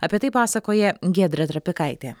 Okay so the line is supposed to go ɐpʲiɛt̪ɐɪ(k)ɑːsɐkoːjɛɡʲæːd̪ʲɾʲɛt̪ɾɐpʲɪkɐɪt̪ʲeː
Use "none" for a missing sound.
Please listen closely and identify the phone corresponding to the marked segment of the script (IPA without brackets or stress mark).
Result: p